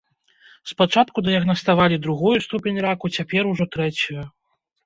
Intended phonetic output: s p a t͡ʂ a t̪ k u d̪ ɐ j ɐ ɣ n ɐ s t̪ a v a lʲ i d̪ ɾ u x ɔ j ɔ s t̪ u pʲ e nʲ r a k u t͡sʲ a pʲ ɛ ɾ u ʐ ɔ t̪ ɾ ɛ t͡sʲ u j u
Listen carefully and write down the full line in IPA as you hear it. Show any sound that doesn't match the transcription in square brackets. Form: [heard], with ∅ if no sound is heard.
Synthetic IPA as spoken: s p a t͡ʂ a t̪ k u d̪ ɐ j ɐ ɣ n ɐ s t̪ a v a lʲ i d̪ ɾ u [ɣ] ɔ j [u] s t̪ u pʲ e nʲ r a k u t͡sʲ a pʲ ɛ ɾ u ʐ ɔ t̪ ɾ ɛ t͡sʲ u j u